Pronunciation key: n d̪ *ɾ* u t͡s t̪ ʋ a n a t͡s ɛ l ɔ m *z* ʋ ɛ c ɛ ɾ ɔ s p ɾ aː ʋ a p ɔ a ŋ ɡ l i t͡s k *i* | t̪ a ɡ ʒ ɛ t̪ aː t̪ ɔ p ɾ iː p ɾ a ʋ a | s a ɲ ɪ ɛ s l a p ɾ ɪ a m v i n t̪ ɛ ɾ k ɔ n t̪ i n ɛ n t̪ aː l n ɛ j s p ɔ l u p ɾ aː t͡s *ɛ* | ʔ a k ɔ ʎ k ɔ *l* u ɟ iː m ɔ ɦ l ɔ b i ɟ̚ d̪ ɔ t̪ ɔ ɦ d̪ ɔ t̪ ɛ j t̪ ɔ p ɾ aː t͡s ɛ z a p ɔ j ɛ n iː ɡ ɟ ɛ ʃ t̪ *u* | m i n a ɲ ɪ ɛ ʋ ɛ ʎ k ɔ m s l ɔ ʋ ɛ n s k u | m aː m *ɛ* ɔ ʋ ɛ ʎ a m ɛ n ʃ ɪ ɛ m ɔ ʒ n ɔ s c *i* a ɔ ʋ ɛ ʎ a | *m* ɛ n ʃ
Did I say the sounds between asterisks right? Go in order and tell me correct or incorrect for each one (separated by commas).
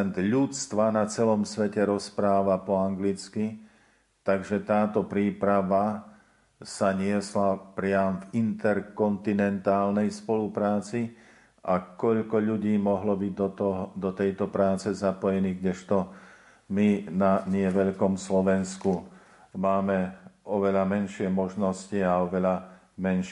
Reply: incorrect, incorrect, correct, incorrect, incorrect, incorrect, correct, correct, correct